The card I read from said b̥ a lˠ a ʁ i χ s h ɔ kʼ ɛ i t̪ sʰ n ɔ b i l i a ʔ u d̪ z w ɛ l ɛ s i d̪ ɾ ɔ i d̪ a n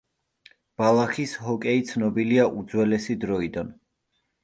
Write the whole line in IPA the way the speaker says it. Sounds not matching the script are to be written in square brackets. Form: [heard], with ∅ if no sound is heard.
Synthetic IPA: b̥ a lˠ a [χ] i [∅] s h ɔ kʼ ɛ i t̪ sʰ n ɔ b i l i a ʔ u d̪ z w ɛ l ɛ s i d̪ ɾ ɔ i d̪ a n